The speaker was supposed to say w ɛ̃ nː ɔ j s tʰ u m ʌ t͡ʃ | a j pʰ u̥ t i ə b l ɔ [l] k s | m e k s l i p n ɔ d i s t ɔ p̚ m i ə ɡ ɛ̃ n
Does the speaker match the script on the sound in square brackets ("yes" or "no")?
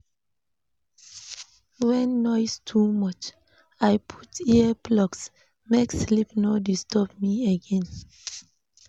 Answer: no